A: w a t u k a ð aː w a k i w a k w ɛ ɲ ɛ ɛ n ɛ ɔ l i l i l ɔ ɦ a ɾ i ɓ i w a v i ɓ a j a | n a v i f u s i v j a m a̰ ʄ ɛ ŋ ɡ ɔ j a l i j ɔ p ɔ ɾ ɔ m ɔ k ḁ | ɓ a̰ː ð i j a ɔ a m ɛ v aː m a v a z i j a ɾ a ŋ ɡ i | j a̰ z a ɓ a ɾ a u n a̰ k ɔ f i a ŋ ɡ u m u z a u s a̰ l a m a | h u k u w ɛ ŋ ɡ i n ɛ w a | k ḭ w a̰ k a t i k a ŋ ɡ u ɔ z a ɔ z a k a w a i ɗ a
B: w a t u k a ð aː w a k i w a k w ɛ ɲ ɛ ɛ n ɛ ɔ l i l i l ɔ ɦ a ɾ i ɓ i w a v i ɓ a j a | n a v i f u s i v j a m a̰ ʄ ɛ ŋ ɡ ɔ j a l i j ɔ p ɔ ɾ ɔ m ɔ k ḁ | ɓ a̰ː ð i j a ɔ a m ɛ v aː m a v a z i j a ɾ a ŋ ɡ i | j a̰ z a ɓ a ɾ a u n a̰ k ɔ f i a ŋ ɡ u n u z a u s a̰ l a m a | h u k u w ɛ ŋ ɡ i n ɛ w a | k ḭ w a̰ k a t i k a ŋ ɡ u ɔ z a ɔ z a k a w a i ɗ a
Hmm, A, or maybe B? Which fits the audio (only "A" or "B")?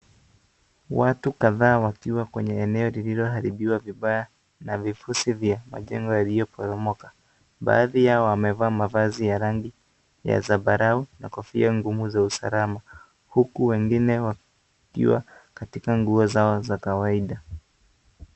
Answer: A